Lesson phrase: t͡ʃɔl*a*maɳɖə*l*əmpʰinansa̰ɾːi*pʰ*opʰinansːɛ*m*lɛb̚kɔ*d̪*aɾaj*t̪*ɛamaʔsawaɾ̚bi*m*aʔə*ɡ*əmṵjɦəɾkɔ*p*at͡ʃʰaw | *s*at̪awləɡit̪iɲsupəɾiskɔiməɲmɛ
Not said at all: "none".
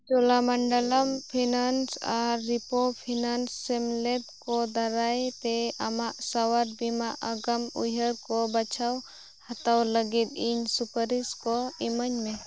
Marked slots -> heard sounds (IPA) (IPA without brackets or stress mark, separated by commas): a, l, p, m, d̪, t̪, m, ɡ, b, h